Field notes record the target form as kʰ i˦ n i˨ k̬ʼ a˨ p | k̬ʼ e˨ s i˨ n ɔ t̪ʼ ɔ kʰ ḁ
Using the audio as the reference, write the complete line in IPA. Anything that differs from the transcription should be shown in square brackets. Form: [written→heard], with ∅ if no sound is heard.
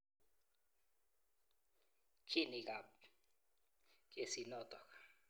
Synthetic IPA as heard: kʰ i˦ n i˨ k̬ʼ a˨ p | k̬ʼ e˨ s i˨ n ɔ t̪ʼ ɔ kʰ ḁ